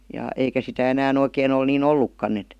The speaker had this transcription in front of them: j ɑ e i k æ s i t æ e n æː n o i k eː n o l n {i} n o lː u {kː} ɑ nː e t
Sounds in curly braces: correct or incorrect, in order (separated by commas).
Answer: incorrect, correct